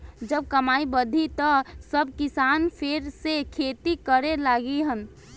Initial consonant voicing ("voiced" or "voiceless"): voiced